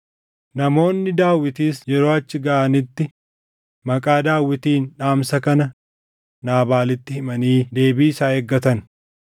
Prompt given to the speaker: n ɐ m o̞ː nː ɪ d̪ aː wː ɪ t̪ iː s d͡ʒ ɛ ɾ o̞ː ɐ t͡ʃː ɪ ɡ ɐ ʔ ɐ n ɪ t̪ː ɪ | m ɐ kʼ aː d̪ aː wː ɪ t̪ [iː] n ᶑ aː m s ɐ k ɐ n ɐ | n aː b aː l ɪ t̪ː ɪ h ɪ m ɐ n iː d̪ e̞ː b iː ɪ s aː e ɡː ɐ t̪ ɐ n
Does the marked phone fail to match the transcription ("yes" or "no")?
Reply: no